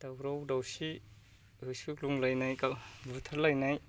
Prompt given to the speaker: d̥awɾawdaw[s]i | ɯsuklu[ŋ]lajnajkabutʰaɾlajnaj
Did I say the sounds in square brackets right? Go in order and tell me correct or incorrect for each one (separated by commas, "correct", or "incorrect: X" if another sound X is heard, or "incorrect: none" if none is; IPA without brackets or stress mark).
correct, correct